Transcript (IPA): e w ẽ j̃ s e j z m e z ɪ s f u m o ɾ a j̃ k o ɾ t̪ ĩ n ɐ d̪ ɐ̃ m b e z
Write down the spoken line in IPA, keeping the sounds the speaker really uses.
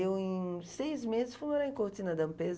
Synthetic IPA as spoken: e w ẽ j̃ s e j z m e z ɪ s f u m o ɾ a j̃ k o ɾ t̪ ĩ n ɐ d̪ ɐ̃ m p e z